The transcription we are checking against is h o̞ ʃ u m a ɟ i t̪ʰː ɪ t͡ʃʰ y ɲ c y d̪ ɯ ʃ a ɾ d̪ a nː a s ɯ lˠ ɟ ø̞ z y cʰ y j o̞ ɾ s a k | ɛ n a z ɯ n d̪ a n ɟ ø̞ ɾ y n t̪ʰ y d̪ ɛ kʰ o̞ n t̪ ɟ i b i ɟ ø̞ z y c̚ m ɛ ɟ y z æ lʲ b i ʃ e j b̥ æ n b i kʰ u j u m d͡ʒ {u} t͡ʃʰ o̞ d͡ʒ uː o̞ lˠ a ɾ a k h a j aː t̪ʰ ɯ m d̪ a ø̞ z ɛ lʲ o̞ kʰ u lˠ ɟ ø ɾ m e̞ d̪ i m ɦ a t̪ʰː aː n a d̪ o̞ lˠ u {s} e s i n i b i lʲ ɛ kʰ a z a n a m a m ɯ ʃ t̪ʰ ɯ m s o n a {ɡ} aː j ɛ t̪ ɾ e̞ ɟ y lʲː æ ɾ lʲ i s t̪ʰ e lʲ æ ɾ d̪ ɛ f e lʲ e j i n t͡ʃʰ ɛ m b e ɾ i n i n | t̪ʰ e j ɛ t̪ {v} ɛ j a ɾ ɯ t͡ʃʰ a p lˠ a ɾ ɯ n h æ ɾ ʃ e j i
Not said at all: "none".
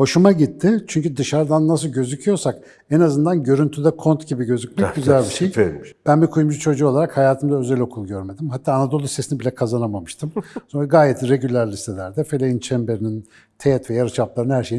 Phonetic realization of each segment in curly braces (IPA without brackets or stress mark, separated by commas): u, s, ɡ, v